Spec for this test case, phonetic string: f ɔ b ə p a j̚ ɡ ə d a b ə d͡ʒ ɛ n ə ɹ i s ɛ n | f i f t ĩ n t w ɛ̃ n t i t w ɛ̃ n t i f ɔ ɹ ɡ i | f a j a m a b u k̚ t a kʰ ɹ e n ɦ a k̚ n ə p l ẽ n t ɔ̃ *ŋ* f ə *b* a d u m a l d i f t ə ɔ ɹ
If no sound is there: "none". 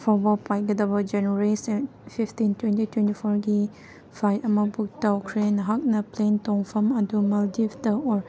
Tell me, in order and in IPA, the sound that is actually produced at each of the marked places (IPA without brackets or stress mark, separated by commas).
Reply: ŋ, m